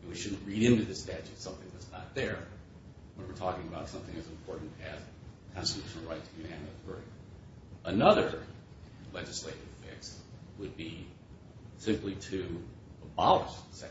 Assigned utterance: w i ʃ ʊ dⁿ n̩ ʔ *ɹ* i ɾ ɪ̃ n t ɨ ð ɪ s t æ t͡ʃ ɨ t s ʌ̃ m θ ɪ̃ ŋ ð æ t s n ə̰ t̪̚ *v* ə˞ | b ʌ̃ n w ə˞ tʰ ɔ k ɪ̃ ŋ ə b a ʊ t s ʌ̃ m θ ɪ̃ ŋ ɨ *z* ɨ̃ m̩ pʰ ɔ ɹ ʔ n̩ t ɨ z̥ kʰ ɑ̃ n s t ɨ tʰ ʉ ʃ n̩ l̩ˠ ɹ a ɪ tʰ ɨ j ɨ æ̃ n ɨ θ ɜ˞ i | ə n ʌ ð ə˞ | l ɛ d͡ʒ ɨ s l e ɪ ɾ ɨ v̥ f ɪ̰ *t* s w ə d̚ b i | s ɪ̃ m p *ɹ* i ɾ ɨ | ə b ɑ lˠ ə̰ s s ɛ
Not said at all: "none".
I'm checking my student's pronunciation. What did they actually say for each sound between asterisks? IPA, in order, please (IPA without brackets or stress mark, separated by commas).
ɹ, ð, z, k, l